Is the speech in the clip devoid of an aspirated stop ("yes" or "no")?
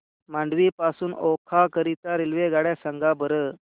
no